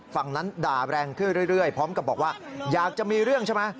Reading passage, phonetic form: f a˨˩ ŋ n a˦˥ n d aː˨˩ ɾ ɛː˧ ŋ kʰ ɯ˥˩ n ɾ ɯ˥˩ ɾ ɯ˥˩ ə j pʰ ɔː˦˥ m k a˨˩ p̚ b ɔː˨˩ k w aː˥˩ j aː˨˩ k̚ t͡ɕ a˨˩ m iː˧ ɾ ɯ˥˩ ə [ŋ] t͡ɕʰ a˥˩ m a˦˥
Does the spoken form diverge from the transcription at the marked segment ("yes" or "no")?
no